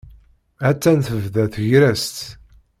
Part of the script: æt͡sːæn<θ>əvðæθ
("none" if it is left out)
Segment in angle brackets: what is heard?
θ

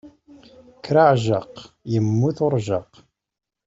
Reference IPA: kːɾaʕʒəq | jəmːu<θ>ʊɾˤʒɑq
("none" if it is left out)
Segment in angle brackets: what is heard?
θ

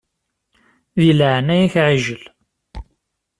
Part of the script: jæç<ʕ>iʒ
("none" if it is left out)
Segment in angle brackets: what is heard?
ʕ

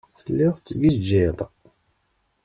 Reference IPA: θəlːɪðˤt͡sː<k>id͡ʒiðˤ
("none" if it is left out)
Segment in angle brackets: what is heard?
ɡ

